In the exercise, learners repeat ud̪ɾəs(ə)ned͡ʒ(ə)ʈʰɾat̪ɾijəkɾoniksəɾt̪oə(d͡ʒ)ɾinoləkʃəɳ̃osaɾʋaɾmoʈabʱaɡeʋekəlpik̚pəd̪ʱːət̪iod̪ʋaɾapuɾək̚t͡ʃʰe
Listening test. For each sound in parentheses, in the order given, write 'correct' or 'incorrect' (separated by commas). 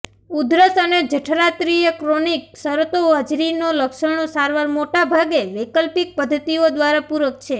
correct, correct, correct